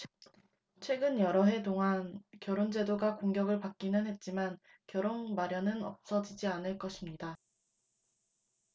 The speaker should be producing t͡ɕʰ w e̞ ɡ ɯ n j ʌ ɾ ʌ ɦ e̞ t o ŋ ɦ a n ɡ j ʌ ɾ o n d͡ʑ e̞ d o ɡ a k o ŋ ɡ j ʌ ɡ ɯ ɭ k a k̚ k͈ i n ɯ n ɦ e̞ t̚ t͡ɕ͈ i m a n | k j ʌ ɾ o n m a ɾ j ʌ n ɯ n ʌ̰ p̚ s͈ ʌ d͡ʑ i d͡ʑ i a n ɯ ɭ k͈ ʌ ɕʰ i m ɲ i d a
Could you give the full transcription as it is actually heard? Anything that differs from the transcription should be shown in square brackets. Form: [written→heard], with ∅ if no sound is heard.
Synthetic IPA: t͡ɕʰ w e̞ ɡ ɯ n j ʌ ɾ ʌ ɦ e̞ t o ŋ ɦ a n [ɡ→k] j ʌ ɾ o n d͡ʑ e̞ d o ɡ a k o ŋ ɡ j ʌ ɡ ɯ ɭ [k→p] a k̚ k͈ i n ɯ n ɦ e̞ t̚ t͡ɕ͈ i m a n | k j ʌ ɾ o n m a ɾ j ʌ n ɯ n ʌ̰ p̚ s͈ ʌ d͡ʑ i d͡ʑ i a n ɯ ɭ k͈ ʌ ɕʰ i m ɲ i d a